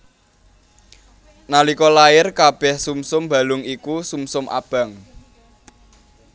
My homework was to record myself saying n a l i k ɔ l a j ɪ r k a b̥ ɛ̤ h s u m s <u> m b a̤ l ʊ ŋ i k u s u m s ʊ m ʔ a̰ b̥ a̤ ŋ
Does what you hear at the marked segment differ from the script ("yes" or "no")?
yes